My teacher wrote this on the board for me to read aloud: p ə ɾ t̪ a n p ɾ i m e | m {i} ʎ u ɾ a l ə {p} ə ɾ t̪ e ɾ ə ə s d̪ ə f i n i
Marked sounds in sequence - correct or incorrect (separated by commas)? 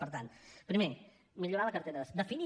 correct, incorrect